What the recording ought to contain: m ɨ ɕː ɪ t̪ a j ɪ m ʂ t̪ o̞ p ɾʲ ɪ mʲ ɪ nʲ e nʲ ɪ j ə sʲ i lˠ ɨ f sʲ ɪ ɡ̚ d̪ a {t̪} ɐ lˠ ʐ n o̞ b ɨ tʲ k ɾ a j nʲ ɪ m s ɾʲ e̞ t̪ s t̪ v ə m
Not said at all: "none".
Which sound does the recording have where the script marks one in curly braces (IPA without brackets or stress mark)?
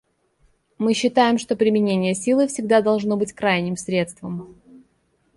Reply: d̪